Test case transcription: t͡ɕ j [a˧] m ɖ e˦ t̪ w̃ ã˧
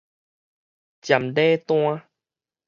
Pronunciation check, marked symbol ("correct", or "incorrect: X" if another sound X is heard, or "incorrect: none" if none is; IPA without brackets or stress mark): incorrect: a˨˩